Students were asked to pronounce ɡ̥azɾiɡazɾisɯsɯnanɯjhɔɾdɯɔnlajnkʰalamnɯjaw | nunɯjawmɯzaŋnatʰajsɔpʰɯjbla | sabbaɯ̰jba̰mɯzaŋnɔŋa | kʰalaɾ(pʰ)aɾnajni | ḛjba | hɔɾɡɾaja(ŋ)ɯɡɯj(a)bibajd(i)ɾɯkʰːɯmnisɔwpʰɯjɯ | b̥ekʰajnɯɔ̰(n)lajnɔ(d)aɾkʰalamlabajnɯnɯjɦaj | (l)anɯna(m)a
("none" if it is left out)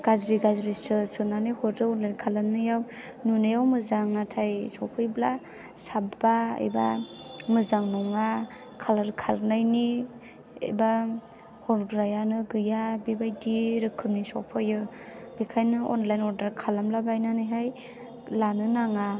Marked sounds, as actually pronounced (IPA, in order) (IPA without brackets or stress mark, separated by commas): kʰ, n, a, i, n, d, l, ŋ